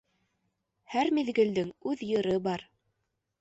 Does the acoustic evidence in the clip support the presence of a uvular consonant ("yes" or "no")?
no